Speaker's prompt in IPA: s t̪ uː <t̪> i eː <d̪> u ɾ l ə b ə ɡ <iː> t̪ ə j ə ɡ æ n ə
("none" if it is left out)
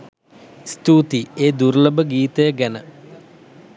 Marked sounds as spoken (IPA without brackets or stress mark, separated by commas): t̪, d̪, iː